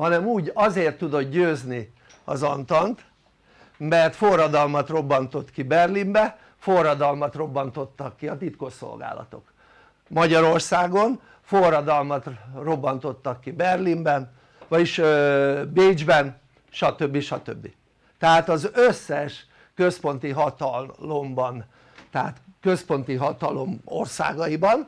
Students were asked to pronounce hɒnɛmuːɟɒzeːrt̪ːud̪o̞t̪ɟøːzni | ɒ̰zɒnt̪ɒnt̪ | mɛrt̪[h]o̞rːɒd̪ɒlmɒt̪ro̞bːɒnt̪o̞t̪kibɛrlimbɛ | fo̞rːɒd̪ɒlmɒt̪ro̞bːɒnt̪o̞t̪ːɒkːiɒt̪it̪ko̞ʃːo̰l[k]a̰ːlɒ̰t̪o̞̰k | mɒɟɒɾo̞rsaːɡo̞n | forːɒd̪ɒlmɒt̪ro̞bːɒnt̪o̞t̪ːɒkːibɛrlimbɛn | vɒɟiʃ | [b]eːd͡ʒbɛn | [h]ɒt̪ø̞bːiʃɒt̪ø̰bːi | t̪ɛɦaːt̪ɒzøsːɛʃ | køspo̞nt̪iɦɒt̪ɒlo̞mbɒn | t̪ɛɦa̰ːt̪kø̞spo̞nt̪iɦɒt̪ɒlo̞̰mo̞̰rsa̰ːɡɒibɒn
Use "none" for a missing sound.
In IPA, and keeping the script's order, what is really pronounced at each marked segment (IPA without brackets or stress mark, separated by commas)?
f, ɡ, b, ʃ